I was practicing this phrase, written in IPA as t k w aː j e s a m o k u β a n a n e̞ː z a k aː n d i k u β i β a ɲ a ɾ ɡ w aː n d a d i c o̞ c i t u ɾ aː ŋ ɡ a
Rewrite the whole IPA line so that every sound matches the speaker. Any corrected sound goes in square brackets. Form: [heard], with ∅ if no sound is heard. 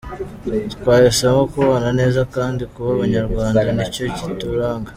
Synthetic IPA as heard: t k w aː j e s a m o k u β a n a n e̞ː z a k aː n d i k u β [a] β a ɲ a ɾ ɡ w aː n d a [n] i c o̞ c i t u ɾ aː ŋ ɡ a

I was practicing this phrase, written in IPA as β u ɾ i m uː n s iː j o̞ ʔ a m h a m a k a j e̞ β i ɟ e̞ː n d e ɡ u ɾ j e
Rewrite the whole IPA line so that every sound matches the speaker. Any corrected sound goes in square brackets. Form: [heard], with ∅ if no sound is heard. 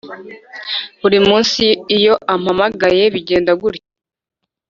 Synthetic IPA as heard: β u ɾ i m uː n s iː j o̞ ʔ a m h a m a [ɡ] a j e̞ β i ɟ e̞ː n d [a] ɡ u ɾ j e

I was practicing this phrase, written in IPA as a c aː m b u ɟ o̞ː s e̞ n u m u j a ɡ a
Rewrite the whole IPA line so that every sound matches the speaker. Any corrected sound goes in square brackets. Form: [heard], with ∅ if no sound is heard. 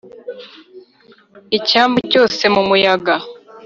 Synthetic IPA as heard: [i] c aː m b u [c] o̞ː s e̞ [m] u m u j a ɡ a

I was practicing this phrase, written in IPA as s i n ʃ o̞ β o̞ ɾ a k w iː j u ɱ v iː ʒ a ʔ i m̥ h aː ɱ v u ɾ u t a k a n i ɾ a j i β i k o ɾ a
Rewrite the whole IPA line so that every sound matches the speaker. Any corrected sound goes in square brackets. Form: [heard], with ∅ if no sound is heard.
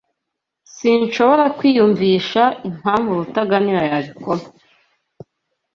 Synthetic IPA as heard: s i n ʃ o̞ β o̞ ɾ a k w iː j u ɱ v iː [ʃ] a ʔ i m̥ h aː ɱ v u ɾ u t a [ɡ] a n i ɾ a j [a] β i k o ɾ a

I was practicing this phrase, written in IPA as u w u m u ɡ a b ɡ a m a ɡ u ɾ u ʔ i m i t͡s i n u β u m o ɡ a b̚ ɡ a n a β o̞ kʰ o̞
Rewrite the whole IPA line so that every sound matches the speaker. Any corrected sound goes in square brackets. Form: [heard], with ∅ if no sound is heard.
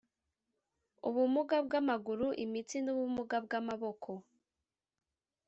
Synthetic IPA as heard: u [β] u m u ɡ a b ɡ a m a ɡ u ɾ u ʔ i m i t͡s i n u β u m [u] ɡ a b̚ ɡ a [m] a β o̞ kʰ o̞

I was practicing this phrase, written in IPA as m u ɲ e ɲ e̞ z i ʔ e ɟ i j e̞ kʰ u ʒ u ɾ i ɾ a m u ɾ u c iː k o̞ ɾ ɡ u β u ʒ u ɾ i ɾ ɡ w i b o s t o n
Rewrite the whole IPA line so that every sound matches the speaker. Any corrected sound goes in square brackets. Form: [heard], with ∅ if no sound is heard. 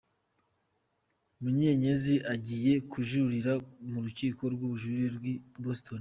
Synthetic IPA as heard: m u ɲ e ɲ e̞ z i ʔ [a] ɟ i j e̞ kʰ u ʒ u ɾ i ɾ a m u ɾ u c iː k o̞ ɾ ɡ u β u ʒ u ɾ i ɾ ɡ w i b o s t o n

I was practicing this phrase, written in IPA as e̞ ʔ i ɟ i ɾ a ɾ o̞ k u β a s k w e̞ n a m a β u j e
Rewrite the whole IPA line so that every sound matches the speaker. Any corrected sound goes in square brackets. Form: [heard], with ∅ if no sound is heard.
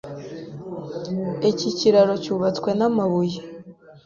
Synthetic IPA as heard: e̞ [c] i [c] i ɾ a ɾ o̞ [c] u β a [t͡s] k w e̞ n a m a β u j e

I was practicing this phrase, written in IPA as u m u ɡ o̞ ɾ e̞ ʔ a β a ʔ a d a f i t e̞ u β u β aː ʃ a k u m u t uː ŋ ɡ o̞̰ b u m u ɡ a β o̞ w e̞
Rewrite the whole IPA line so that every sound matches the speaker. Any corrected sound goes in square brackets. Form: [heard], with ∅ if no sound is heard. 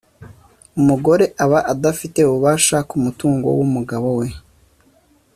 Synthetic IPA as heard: u m u ɡ o̞ ɾ e̞ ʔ a β a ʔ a d a f i t e̞ u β u β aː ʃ a k u m u t uː ŋ ɡ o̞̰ [w] u m u ɡ a β o̞ w e̞

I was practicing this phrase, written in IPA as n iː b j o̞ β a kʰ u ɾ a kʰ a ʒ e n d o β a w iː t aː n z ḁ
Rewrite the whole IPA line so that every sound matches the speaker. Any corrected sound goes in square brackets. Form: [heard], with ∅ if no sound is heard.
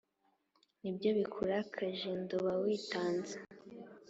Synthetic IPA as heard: n [i] b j o̞ β [i] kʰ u ɾ a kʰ a ʒ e n d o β a w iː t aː n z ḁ

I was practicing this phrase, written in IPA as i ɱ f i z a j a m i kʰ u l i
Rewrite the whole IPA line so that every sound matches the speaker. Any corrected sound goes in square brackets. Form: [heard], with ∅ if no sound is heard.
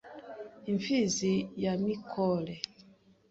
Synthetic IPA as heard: i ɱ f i z [i] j a m i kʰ [ɔ] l [ɛ]

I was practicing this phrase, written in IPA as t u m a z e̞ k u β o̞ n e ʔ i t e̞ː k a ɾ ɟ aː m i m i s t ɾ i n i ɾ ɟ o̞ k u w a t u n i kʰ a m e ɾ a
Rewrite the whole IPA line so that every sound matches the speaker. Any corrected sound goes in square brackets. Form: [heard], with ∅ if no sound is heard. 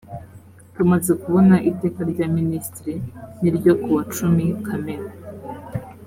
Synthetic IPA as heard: t u m a z e̞ k u β o̞ n [a] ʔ i t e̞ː k a ɾ ɟ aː m i [n] i s t ɾ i n i ɾ ɟ o̞ k u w a [t͡ʃ] u [m] i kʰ a m e ɾ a

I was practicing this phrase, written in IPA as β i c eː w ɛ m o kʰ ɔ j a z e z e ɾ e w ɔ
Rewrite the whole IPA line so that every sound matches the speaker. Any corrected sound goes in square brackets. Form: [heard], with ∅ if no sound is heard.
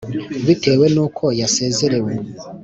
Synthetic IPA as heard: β i [t] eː w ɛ [n] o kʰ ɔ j a [s] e z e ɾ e w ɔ

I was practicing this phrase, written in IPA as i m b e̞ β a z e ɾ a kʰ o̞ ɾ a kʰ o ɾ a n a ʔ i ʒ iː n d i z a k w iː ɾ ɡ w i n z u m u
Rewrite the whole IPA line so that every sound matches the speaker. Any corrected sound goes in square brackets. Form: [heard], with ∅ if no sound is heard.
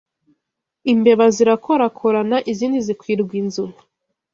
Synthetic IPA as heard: i m b e̞ β a z [i] ɾ a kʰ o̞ ɾ a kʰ o ɾ a n a ʔ i [z] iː n d i z [i] k w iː ɾ ɡ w i n z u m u

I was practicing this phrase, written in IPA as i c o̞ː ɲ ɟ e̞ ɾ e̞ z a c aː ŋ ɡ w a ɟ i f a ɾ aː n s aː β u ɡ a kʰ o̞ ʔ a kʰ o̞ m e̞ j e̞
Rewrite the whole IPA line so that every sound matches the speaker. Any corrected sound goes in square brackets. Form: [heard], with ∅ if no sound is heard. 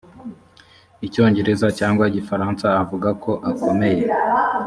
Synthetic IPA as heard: i c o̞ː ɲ ɟ e̞ ɾ e̞ z a c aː ŋ ɡ w a ɟ i f a ɾ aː n s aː [v] u ɡ a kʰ o̞ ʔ a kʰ o̞ m e̞ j e̞

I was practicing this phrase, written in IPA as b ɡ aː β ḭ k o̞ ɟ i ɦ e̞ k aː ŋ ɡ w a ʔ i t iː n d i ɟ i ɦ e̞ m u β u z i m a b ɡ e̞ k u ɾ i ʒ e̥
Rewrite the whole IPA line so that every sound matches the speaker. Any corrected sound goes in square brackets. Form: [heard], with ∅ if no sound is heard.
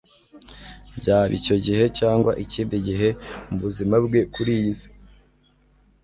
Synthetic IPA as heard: b [ɟ] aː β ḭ [c] o̞ ɟ i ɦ e̞ [c] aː ŋ ɡ w a ʔ i [c] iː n d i ɟ i ɦ e̞ m u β u z i m a b ɡ e̞ k u ɾ i [z] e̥

